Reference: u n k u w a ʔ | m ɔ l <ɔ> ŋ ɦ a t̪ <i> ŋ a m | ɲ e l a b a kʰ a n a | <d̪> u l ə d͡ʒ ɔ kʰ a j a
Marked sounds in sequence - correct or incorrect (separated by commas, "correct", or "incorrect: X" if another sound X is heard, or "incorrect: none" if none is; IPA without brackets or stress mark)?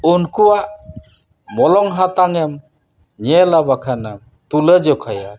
correct, incorrect: a, incorrect: t̪